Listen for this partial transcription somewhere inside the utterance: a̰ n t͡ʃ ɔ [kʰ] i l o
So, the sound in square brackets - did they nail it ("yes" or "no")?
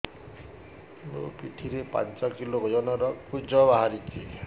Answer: no